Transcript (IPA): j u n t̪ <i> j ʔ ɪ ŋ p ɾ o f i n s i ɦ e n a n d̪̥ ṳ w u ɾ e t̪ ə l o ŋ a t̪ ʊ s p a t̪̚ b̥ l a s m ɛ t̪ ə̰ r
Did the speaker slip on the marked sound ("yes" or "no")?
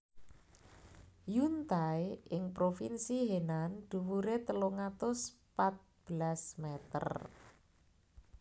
yes